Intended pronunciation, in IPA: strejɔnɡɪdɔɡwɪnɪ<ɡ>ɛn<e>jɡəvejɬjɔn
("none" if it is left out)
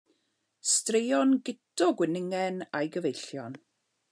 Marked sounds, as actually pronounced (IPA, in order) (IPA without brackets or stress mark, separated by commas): ŋ, a